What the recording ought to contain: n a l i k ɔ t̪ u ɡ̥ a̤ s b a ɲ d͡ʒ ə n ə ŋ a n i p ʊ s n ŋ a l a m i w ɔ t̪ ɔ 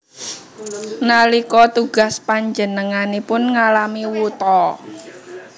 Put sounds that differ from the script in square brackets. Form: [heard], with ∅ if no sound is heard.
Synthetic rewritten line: n a l i k ɔ t̪ u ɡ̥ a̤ s [p] a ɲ d͡ʒ ə n ə ŋ a n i p ʊ [∅] n ŋ a l a m i w [u] t̪ ɔ